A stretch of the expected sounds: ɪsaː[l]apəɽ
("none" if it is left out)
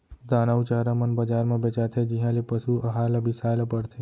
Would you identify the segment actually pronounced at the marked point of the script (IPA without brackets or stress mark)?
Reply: l